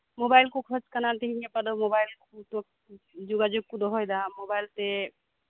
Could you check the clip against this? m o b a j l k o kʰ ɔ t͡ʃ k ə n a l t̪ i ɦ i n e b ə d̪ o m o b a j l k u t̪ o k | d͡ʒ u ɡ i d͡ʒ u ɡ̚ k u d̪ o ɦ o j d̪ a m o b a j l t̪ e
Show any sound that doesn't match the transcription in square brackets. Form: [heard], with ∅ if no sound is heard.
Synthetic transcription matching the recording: m o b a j l k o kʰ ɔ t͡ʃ k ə n a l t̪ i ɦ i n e [p] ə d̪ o m o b a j l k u t̪ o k | d͡ʒ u ɡ [a] d͡ʒ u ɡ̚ k u d̪ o ɦ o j d̪ a m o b a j l t̪ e